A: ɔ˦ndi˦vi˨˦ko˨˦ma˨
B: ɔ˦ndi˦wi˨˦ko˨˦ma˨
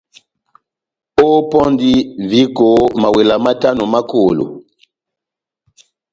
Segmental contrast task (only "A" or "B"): A